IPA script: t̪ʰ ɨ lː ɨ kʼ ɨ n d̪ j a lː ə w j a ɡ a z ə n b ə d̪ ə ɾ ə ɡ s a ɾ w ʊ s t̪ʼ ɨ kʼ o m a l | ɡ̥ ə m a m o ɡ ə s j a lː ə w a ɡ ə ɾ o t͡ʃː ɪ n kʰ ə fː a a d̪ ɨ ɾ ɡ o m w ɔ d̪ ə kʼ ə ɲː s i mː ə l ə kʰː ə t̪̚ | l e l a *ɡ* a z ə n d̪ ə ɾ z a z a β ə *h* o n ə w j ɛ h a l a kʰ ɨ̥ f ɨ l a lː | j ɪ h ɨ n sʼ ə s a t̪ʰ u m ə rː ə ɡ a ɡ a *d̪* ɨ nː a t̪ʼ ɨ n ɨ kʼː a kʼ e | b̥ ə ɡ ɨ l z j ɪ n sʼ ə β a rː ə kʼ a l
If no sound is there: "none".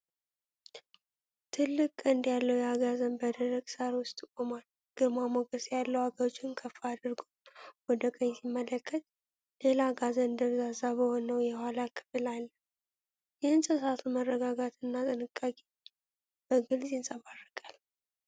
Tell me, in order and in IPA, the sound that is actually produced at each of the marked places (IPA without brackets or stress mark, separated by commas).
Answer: ɡ, h, t̪